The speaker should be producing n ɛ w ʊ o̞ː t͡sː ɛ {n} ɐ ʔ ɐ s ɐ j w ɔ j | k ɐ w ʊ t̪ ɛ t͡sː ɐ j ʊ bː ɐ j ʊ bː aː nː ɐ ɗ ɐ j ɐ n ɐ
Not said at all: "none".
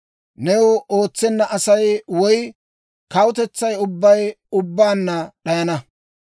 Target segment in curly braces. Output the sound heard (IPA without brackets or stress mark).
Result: nː